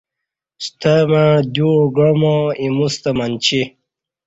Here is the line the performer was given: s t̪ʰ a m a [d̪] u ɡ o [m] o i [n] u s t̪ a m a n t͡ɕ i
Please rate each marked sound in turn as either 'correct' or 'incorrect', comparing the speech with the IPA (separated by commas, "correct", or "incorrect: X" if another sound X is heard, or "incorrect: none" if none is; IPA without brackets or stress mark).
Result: correct, correct, incorrect: m